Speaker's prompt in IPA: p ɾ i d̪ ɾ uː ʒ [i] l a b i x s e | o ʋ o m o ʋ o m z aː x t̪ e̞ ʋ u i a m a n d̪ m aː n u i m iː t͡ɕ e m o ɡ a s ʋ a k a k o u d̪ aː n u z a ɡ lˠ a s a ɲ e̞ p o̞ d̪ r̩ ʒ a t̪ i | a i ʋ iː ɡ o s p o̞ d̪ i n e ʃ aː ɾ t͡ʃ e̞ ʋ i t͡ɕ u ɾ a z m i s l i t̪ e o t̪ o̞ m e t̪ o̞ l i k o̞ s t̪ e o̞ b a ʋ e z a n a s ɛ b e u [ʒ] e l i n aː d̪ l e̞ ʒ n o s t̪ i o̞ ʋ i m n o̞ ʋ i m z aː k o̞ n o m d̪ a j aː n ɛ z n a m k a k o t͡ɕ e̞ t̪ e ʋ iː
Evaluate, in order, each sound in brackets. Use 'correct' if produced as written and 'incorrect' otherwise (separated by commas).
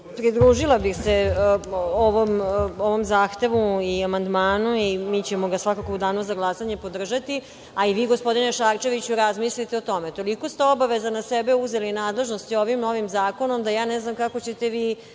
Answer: correct, incorrect